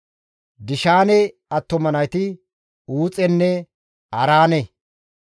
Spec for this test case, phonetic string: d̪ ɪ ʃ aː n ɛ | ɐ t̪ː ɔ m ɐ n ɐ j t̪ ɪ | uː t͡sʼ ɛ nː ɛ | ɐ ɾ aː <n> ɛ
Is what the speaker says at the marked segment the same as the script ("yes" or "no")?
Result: yes